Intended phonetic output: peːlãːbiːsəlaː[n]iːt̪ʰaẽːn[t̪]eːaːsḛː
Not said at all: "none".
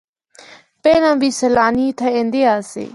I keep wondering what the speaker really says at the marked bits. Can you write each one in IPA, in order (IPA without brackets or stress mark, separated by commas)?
n, d̪